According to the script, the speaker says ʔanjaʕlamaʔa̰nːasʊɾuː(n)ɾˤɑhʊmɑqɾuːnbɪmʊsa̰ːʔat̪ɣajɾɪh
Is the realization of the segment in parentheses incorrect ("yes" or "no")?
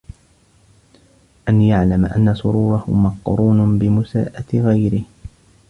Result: yes